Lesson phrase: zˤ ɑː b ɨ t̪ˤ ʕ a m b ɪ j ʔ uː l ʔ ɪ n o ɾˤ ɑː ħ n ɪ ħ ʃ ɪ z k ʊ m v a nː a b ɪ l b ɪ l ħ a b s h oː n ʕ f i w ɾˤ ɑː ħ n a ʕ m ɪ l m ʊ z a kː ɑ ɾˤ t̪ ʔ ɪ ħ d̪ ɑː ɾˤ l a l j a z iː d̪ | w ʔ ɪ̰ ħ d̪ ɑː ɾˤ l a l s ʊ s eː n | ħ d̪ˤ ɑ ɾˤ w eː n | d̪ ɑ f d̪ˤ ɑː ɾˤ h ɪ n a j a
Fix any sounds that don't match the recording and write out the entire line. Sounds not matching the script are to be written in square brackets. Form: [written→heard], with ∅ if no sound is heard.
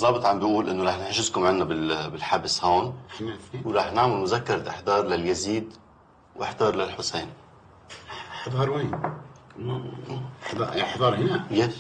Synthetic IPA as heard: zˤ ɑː b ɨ t̪ˤ ʕ a m b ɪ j ʔ uː l ʔ ɪ [n→nː] o ɾˤ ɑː ħ n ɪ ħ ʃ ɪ z k ʊ m [v→ʕ] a nː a b ɪ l b ɪ l ħ a b s h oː n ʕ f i w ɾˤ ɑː ħ n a ʕ m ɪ l m ʊ z a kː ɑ ɾˤ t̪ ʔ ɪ ħ d̪ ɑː ɾˤ l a l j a z iː d̪ | w ʔ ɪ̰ ħ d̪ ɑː ɾˤ l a l [s→ħ] ʊ s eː n | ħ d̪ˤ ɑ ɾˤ w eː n | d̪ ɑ [f→ħ] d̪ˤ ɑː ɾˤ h ɪ n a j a